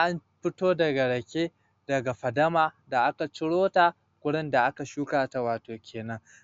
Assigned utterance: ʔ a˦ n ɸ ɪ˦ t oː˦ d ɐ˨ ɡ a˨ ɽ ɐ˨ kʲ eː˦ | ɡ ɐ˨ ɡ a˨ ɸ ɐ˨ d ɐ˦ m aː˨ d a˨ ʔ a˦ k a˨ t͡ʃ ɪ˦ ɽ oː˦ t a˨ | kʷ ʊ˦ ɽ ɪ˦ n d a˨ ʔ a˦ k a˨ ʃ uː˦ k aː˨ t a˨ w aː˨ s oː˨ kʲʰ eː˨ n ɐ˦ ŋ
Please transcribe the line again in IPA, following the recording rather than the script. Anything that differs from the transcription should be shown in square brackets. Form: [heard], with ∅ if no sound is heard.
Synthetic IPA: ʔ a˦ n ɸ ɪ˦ t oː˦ d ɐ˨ ɡ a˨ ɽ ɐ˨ kʲ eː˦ | [d] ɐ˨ ɡ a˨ ɸ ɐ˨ d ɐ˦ m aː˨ d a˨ ʔ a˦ k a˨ t͡ʃ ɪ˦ ɽ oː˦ t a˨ | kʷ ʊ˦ ɽ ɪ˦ n d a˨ ʔ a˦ k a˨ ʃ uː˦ k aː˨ t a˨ w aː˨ [t] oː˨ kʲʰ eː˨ n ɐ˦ ŋ